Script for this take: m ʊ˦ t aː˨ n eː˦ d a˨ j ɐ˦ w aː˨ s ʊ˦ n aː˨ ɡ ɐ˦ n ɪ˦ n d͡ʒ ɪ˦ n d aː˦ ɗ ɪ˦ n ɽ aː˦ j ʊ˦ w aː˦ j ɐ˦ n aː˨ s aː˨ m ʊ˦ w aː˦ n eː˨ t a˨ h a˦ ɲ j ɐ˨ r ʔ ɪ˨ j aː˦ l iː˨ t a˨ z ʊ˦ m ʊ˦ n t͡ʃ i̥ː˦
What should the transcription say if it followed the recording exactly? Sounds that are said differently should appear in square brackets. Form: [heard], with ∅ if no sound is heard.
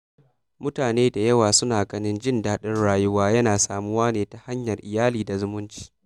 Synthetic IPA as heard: m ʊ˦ t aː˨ n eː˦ d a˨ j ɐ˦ w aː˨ s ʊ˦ n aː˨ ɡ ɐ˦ n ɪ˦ n d͡ʒ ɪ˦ n d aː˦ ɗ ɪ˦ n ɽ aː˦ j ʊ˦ w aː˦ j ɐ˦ n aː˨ s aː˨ m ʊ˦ w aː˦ n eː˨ t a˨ h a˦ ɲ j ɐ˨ r ʔ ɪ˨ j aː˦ l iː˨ [d] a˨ z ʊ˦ m ʊ˦ n t͡ʃ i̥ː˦